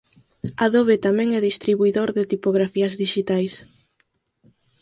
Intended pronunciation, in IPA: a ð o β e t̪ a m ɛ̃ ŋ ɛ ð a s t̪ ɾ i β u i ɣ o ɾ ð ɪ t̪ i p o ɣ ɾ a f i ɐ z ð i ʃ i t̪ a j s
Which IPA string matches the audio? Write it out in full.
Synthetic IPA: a ð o β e t̪ a m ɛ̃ ŋ ɛ ð i s t̪ ɾ i β u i ð o ɾ ð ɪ t̪ i p o ɣ ɾ a f i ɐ z ð i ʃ i t̪ a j s